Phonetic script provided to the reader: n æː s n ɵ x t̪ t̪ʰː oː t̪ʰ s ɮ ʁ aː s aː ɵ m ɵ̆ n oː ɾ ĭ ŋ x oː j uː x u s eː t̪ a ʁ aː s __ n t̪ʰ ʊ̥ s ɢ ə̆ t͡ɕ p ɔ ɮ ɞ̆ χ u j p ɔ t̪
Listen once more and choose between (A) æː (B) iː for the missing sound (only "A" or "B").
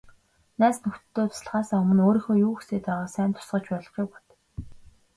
A